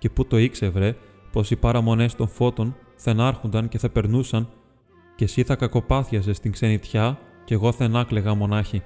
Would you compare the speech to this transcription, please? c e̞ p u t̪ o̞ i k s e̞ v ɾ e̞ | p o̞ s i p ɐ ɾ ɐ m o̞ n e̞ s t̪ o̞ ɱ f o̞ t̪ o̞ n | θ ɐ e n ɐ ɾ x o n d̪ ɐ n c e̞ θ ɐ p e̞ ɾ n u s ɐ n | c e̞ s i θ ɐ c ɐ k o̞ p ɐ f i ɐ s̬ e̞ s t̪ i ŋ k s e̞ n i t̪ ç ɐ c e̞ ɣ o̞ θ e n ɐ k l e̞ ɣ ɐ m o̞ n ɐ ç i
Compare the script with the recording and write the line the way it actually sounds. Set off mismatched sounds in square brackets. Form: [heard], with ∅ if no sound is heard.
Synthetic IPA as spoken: c e̞ p u t̪ o̞ i k s e̞ v ɾ e̞ | p o̞ s i p ɐ ɾ ɐ m o̞ n e̞ s t̪ o̞ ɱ f o̞ t̪ o̞ n | θ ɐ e n ɐ ɾ x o n d̪ ɐ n c e̞ θ ɐ p e̞ ɾ n u s ɐ n | c e̞ s i θ ɐ [k] ɐ k o̞ p ɐ [θ] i ɐ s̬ e̞ s t̪ i ŋ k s e̞ n i t̪ ç ɐ c e̞ ɣ o̞ θ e n ɐ k l e̞ ɣ ɐ m o̞ n ɐ ç i